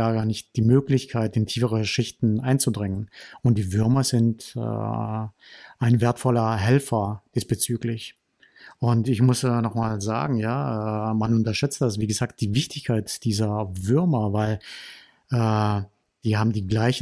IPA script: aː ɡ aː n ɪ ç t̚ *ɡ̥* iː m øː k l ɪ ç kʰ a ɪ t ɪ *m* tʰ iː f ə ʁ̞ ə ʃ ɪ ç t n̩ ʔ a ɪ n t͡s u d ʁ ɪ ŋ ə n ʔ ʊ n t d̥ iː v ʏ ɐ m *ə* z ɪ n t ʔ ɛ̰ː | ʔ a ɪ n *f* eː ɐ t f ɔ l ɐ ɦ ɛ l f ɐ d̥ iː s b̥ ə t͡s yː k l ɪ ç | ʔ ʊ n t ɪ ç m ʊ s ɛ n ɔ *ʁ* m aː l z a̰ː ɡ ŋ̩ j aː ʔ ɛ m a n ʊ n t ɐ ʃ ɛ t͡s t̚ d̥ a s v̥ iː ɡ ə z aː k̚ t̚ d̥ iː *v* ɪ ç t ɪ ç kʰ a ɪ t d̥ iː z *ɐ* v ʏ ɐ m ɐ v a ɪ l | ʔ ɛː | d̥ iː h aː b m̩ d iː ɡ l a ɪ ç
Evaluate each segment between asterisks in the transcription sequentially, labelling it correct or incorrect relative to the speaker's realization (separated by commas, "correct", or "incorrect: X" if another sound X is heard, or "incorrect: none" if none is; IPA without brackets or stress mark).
incorrect: d̥, incorrect: n, incorrect: ɐ, incorrect: v, incorrect: χ, correct, correct